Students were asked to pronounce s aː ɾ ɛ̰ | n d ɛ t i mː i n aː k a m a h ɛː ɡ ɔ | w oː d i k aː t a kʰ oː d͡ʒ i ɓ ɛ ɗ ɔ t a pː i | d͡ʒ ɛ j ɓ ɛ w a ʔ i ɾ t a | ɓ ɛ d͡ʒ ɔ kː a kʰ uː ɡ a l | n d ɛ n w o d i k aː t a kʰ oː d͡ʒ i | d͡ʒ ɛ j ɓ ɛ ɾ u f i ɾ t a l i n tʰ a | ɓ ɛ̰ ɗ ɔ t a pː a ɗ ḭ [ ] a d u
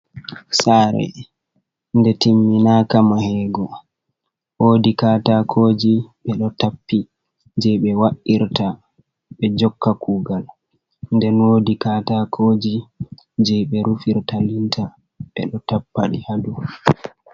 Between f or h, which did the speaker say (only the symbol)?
h